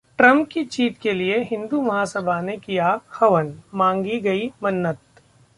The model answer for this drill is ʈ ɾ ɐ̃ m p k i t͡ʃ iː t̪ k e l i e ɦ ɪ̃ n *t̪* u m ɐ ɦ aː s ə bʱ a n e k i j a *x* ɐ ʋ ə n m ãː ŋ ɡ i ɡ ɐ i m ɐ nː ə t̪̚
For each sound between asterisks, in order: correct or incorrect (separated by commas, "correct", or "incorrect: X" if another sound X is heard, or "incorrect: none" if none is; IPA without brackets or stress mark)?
incorrect: d̪, correct